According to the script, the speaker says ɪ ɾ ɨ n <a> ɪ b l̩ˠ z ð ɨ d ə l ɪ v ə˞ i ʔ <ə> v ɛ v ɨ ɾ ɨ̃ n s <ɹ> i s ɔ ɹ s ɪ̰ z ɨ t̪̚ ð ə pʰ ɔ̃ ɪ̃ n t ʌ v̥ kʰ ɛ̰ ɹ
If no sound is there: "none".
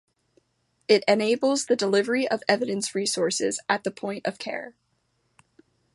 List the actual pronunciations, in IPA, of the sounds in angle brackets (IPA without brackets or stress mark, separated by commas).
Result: e, ʌ, ɹ